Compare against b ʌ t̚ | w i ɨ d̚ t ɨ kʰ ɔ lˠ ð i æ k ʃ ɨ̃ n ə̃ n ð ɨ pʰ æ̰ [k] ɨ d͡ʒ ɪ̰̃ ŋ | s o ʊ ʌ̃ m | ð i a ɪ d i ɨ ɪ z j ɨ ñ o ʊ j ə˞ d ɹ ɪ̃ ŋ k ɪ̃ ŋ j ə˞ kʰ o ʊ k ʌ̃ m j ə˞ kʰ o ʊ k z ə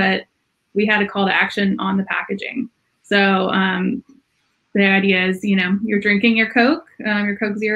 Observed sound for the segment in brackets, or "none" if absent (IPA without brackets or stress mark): k